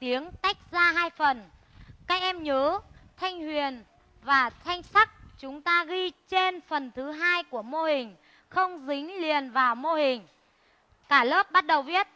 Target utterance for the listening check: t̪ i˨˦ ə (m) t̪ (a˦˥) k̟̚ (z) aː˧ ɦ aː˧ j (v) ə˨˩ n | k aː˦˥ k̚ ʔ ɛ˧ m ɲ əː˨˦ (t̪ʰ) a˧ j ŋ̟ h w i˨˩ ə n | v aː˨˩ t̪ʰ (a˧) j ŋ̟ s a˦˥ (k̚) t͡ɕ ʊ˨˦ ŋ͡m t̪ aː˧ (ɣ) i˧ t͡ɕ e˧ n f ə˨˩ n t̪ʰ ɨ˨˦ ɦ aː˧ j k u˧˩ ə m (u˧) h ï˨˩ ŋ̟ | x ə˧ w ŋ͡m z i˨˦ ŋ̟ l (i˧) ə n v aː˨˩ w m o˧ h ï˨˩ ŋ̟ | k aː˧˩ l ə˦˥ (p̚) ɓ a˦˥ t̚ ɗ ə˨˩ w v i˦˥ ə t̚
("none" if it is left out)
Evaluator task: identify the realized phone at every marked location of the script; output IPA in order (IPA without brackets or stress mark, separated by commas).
ŋ, a˦˥, z, f, t̪ʰ, a˧, k̚, ɣ, o˧, i˨˩, p̚